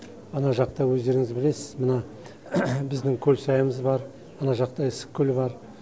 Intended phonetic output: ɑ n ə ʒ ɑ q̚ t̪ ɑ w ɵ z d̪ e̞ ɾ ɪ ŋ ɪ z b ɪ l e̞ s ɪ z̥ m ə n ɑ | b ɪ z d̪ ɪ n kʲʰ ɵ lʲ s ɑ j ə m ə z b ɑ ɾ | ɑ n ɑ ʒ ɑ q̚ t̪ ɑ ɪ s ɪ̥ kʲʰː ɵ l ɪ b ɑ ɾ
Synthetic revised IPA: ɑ n ɑ ʒ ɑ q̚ t̪ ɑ w ɵ z d̪ e̞ ɾ ɪ ŋ ɪ z b ɪ l e̞ s ɪ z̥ m ə n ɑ | b ɪ z d̪ ɪ ŋ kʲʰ ɵ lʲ s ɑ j ə m ə z b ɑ ɾ | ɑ n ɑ ʒ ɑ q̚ t̪ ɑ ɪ s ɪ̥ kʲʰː ɵ l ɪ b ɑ ɾ